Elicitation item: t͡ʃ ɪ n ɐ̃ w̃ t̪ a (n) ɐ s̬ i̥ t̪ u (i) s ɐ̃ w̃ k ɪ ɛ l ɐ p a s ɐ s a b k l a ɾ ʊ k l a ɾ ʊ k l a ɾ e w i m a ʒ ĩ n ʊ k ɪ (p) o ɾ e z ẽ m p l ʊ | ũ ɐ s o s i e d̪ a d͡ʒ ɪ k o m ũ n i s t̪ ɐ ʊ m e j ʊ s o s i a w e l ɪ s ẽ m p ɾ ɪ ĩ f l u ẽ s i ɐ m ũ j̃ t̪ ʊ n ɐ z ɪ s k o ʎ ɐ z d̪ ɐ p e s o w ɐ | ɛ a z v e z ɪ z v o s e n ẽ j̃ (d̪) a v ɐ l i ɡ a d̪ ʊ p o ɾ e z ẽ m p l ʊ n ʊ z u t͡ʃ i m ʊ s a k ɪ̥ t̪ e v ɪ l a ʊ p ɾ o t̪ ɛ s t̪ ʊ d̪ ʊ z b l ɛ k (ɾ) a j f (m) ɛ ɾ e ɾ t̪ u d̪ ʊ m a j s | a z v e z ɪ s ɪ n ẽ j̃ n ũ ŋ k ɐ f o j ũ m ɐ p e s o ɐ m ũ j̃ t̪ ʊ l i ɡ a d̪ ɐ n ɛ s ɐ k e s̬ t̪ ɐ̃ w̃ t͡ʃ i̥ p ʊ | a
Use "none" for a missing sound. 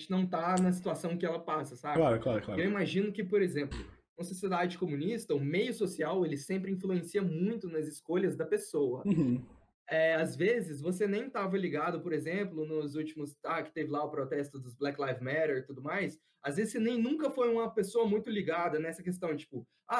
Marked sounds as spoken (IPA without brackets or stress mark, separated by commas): n, a, p, t̪, l, m